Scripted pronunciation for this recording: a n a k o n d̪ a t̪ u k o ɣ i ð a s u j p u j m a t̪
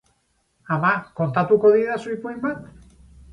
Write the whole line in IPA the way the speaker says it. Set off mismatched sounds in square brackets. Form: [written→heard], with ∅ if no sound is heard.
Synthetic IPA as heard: a [n→m] a k o n [d̪→t̪] a t̪ u k o [ɣ→ð] i ð a s u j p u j m a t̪